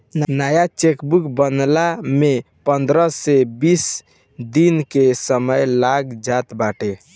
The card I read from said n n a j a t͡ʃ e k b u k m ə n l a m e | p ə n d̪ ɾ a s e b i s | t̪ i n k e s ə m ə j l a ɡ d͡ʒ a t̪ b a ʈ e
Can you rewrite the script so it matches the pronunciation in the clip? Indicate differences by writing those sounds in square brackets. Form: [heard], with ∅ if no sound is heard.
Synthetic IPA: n n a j a t͡ʃ e k b u k [b] ə n l a m e | p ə n d̪ ɾ [ə] s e b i s | [d̪] i n k e s ə m ə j l a ɡ d͡ʒ a t̪ b a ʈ e